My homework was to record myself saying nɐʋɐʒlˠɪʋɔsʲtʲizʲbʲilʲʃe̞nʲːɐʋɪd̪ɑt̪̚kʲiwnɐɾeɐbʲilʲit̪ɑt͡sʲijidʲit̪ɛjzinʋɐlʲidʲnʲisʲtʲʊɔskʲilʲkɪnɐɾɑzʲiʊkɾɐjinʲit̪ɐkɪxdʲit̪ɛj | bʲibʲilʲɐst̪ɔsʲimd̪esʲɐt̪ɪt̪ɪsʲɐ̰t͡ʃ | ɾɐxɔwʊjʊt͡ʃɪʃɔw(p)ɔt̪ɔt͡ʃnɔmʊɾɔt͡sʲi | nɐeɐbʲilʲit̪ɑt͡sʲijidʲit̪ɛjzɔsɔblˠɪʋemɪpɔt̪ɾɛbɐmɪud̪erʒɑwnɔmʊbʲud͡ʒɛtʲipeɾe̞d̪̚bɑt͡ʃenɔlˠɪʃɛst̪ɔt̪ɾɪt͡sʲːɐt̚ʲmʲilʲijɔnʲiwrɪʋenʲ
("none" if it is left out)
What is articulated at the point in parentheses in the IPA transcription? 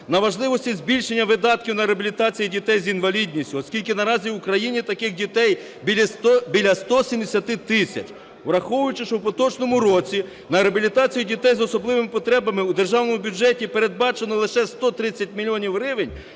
p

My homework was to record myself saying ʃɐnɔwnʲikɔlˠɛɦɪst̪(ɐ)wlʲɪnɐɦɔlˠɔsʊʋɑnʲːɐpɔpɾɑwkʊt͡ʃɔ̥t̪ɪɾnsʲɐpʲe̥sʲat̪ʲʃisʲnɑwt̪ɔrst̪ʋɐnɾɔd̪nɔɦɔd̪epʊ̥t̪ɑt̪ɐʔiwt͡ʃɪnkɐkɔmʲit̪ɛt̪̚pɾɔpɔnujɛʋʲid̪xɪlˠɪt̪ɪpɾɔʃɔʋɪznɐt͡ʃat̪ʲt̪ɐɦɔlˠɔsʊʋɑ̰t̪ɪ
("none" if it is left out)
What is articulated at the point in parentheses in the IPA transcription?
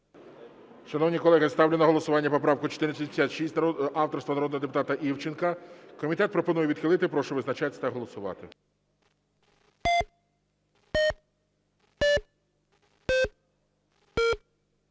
ɑ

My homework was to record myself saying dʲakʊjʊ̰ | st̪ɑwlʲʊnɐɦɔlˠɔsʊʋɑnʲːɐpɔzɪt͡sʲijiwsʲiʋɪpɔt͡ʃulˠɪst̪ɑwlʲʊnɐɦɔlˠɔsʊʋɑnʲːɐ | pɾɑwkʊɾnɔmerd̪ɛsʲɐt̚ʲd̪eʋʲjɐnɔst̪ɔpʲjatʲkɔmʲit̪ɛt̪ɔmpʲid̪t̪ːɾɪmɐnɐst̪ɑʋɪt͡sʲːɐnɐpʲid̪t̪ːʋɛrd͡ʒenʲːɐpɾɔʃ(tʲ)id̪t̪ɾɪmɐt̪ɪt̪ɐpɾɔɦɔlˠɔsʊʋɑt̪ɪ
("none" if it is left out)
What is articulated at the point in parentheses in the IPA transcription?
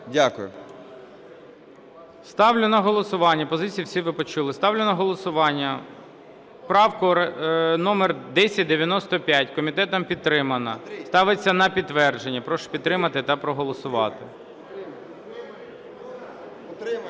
pʲ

